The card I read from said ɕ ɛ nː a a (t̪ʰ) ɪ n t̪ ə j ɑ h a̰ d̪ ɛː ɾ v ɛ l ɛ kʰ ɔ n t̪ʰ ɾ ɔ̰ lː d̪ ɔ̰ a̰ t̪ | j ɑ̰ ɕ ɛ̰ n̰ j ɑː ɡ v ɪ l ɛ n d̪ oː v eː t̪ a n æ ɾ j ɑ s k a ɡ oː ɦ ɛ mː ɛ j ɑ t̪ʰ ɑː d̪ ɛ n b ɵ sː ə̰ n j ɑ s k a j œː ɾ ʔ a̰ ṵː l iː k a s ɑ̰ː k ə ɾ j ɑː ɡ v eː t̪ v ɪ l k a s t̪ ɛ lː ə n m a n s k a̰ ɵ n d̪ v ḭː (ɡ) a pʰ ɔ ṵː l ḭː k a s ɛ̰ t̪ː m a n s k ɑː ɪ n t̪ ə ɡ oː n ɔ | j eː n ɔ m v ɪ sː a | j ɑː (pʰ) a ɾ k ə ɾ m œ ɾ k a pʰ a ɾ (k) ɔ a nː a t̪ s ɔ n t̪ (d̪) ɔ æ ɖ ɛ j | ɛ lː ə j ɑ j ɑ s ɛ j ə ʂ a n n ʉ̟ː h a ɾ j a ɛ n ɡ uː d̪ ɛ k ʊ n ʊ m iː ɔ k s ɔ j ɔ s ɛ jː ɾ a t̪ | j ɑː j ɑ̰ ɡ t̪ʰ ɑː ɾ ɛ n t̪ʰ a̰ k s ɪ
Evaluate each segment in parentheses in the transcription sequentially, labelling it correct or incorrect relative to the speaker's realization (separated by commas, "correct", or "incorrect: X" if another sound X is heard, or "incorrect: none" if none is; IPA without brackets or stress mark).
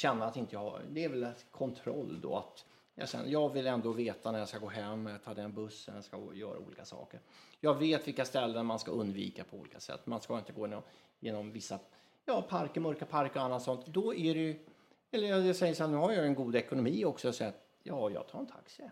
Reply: incorrect: t̪, incorrect: k, correct, correct, correct